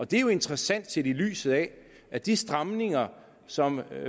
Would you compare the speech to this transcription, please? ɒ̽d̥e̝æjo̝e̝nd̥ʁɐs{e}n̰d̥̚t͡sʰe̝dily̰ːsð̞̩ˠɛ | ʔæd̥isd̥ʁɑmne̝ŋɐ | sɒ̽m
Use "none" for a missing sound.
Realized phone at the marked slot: æ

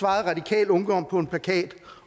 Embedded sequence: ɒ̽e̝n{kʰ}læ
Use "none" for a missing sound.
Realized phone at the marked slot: pʰ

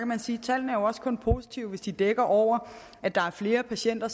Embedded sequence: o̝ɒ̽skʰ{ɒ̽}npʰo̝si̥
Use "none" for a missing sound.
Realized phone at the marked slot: ɔ̽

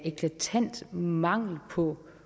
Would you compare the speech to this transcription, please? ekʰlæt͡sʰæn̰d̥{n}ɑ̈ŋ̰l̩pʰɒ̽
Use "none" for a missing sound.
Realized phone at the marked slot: m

